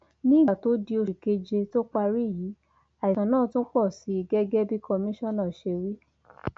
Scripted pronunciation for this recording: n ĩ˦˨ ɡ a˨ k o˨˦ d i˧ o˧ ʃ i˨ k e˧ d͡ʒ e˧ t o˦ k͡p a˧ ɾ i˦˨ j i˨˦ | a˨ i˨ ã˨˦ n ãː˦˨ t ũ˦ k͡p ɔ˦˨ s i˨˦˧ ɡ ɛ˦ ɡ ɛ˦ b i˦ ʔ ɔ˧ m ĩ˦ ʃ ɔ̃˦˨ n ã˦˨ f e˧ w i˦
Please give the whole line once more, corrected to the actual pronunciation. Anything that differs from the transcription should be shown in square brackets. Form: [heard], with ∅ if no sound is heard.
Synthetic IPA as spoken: n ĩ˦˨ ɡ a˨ [t] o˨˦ d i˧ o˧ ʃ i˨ k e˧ d͡ʒ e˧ t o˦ k͡p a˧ ɾ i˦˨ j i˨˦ | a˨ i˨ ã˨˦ n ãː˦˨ t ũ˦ k͡p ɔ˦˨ s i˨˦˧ ɡ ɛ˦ ɡ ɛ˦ b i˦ [k] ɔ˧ m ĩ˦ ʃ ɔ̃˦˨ n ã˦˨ [ʃ] e˧ w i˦